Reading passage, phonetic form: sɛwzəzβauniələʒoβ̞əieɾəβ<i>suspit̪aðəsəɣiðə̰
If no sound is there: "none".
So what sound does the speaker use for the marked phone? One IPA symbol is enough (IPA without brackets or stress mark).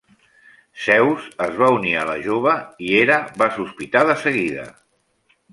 a